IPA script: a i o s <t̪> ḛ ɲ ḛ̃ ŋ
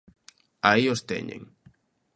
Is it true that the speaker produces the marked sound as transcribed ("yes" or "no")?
yes